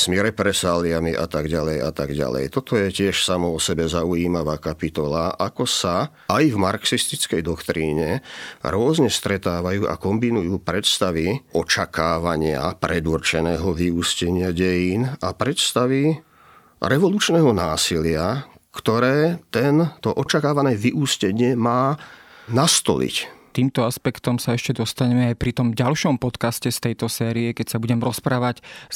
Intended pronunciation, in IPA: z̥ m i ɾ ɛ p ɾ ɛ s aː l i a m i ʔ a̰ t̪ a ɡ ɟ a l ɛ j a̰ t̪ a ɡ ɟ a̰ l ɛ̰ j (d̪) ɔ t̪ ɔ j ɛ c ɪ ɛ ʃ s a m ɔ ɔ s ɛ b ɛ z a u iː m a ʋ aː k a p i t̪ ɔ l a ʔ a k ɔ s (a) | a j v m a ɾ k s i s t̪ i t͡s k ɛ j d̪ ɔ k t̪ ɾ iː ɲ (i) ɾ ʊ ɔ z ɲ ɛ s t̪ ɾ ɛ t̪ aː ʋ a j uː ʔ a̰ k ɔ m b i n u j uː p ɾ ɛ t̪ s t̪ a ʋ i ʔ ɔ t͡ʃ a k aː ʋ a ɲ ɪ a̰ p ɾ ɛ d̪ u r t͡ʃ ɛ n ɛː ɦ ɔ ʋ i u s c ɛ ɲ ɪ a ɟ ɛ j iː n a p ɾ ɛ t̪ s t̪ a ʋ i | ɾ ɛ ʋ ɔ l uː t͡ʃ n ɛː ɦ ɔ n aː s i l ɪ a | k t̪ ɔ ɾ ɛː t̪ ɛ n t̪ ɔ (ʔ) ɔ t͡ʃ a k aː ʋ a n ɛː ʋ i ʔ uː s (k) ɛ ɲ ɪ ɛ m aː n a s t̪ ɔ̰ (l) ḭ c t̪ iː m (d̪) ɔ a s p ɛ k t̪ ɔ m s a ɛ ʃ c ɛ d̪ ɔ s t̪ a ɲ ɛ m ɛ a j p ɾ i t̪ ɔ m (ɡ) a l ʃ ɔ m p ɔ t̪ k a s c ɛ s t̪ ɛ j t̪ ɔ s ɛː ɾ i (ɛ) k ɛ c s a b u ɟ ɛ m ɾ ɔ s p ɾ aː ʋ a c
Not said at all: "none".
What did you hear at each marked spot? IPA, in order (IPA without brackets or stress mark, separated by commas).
t̪, a, ɛ, ʔ, c, l, t̪, ɟ, ɛ